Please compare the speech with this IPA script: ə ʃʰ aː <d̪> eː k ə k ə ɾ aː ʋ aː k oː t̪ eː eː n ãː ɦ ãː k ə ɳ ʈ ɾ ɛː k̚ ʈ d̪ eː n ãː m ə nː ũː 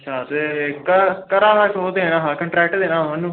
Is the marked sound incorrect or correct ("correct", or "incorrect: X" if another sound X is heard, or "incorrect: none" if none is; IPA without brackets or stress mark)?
incorrect: t̪